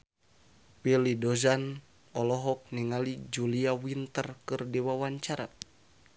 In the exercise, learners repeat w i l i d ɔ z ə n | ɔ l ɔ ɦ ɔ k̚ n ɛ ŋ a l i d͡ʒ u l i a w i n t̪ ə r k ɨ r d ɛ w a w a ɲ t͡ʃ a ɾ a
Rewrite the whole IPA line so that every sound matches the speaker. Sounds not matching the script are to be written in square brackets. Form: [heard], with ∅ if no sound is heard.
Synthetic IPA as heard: w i l i d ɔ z [a] n | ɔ l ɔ ɦ ɔ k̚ n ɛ ŋ a l i d͡ʒ u l i a w i n t̪ ə r k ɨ r d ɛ w a w a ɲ t͡ʃ a ɾ a

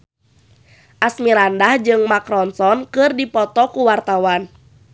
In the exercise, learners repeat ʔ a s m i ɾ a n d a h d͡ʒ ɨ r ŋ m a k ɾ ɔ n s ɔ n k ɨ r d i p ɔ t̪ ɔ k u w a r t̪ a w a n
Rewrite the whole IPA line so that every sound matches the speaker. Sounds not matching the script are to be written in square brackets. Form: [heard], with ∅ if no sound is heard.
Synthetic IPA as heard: ʔ a s m i ɾ a n d a h d͡ʒ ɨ [∅] ŋ m a k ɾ ɔ n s ɔ n k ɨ r d i p ɔ t̪ ɔ k u w a r t̪ a w a n

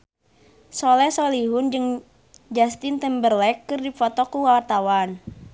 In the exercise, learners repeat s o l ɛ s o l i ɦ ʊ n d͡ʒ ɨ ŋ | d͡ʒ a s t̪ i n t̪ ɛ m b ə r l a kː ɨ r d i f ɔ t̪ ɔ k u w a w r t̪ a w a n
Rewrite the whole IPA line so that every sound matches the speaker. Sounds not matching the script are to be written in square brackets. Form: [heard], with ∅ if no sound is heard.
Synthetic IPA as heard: s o l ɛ s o l i ɦ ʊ n d͡ʒ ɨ ŋ | d͡ʒ a s t̪ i n t̪ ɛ m b ə r l [ɛ] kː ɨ r d i f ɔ t̪ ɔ k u w a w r t̪ a w a n

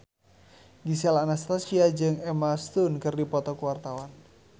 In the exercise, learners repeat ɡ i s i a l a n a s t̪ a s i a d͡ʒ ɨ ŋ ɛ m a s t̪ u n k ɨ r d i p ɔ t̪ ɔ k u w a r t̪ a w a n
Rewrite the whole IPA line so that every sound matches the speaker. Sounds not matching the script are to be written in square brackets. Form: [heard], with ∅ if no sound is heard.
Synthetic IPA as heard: ɡ i s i a l a n a s t̪ a s i a d͡ʒ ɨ ŋ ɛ m a s t̪ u n k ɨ r d i p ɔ t̪ ɔ k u w a r t̪ a w a n

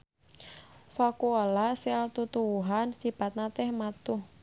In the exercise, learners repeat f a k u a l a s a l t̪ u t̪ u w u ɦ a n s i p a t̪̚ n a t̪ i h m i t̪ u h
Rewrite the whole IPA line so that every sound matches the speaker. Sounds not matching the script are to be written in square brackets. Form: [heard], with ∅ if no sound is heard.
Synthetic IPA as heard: f a k u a l a s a l t̪ u t̪ u w u ɦ a n s i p a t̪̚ n a t̪ [ɛ] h m [a] t̪ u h

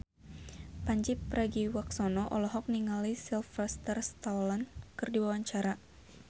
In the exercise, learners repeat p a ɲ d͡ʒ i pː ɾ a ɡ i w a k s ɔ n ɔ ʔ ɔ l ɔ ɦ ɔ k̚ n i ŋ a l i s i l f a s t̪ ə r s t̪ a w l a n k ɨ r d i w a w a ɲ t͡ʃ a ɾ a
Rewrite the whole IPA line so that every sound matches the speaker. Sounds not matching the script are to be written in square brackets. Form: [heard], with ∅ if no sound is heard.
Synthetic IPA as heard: p a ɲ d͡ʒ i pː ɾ a ɡ i w a k s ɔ n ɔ ʔ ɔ l ɔ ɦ ɔ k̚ n i ŋ a l i s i l f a s t̪ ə r s t̪ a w l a n k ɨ r d i w a w a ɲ t͡ʃ a ɾ a

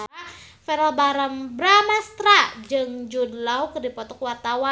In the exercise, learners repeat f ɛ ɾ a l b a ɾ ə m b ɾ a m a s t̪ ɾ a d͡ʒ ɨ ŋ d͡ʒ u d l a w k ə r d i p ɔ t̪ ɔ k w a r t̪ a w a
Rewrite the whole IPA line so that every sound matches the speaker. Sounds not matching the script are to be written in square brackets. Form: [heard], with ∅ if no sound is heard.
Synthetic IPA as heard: f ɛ ɾ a l b a ɾ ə m b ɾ a m a s t̪ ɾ a d͡ʒ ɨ ŋ d͡ʒ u d l a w k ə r d i p ɔ t̪ ɔ k w a r t̪ a w a

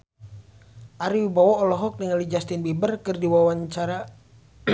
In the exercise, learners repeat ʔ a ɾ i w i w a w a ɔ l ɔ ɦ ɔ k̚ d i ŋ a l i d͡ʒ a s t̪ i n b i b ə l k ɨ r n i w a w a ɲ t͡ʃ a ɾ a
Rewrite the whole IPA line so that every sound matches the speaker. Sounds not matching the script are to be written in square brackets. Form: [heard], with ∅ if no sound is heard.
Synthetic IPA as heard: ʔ a ɾ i w i [b] a w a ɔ l ɔ ɦ ɔ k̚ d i ŋ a l i d͡ʒ a s t̪ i n b i b ə [r] k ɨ r [d] i w a w a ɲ t͡ʃ a ɾ a

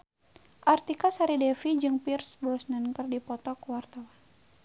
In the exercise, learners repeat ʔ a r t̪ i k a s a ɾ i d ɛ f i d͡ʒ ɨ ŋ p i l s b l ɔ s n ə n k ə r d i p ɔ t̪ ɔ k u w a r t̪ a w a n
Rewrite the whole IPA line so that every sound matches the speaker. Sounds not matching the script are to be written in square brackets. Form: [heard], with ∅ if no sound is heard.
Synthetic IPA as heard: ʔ a r t̪ i k a s a ɾ i d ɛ f i d͡ʒ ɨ ŋ p i [r] s b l ɔ s n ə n k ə r d i p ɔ t̪ ɔ k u w a r t̪ a w a n

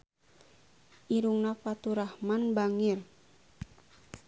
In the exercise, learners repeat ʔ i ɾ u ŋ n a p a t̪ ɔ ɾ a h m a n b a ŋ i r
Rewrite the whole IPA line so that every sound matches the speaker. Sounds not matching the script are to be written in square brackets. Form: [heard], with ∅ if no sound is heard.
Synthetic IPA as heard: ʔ i ɾ u ŋ n a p a t̪ [u] ɾ a h m a n b a ŋ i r

